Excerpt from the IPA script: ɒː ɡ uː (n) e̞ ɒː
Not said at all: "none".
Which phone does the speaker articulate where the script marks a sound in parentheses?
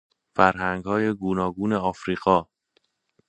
n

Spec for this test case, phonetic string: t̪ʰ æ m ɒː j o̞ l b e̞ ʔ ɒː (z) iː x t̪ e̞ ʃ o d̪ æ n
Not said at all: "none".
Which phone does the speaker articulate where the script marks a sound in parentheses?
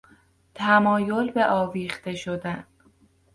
v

